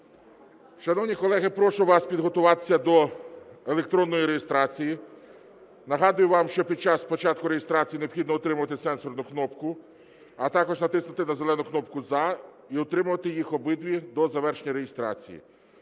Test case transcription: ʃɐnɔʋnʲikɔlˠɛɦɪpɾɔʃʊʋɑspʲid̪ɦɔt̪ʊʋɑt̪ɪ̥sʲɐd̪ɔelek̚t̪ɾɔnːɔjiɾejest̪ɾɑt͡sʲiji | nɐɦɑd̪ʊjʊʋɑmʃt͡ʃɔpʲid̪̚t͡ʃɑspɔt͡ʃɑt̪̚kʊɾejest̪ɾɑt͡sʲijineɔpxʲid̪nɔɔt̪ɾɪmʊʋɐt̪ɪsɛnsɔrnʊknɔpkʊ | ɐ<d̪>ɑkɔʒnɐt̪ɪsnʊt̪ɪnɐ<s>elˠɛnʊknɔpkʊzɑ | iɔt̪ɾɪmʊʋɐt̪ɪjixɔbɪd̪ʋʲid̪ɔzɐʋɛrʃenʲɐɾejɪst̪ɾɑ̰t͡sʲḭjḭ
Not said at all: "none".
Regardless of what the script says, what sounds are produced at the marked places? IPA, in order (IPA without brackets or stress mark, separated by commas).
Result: t̪, z